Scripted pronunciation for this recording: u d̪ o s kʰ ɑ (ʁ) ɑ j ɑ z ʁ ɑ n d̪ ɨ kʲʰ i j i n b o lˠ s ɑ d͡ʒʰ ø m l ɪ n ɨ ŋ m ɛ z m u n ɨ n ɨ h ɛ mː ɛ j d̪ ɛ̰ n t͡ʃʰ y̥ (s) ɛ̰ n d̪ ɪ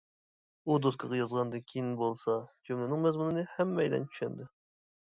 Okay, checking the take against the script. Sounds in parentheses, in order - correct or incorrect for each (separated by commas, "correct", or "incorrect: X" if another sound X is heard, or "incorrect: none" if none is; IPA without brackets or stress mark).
correct, incorrect: ʃ